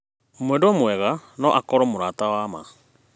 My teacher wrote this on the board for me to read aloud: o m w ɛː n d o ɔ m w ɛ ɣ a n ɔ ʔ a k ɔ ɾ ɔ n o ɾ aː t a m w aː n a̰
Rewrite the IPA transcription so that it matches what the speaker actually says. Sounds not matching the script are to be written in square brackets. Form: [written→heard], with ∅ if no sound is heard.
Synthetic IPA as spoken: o m w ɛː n d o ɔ m w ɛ ɣ a n ɔ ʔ a k ɔ ɾ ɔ [n→m] o ɾ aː t a [m→∅] w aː [n→m] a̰